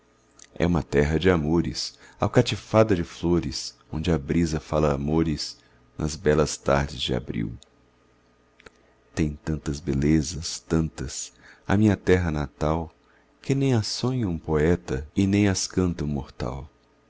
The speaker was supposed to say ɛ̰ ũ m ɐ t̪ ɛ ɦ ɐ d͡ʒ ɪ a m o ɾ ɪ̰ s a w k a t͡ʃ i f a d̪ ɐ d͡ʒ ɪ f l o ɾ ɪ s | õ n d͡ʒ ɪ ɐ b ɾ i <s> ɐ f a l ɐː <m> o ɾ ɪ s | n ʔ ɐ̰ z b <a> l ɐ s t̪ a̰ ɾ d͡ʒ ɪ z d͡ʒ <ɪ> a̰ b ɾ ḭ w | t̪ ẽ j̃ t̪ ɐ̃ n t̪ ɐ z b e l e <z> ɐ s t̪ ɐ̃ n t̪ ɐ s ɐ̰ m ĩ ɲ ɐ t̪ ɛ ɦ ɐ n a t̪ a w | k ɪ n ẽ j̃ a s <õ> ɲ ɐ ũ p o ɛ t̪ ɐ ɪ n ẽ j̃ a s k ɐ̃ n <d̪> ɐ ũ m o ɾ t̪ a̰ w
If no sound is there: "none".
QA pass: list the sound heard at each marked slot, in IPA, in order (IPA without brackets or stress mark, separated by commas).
z, m, ɛ, ɪ, z, õ, t̪